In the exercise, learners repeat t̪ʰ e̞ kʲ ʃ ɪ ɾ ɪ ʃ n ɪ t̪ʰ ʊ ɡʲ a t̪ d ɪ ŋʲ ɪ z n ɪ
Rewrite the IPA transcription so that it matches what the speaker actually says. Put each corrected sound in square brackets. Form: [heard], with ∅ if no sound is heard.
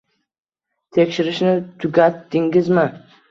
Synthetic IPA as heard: t̪ʰ e̞ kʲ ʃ ɪ ɾ ɪ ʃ n ɪ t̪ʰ ʊ ɡʲ a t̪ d ɪ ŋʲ ɪ z [m] ɪ